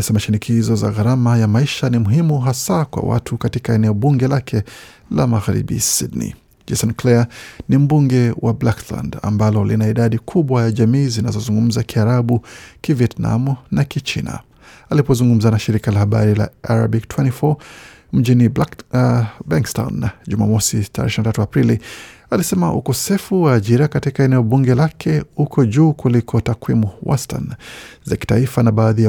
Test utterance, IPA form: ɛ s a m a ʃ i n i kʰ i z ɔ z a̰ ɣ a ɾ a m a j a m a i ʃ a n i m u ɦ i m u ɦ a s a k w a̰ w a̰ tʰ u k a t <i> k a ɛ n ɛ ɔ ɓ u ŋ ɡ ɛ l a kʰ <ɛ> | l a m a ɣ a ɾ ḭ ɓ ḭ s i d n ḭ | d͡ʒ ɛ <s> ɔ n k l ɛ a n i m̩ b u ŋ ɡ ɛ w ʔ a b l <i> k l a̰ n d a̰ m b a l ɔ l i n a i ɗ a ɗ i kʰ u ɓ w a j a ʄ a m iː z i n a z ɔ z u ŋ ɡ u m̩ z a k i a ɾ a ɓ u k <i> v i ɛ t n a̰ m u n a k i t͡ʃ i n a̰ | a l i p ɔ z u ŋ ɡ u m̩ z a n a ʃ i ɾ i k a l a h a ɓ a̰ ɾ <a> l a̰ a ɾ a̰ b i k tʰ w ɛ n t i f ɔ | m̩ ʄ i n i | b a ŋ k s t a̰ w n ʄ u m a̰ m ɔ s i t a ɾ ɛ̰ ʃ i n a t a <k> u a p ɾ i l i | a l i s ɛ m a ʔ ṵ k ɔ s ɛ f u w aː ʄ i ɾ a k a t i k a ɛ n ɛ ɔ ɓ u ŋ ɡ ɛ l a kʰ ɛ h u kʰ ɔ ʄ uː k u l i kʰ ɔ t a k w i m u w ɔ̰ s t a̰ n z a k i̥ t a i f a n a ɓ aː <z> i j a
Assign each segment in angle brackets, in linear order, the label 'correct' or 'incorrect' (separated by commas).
correct, correct, correct, incorrect, correct, incorrect, incorrect, incorrect